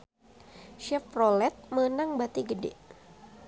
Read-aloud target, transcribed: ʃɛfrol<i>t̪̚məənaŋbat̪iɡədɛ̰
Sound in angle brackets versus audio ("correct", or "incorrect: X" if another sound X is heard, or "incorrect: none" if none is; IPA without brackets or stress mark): incorrect: ɛ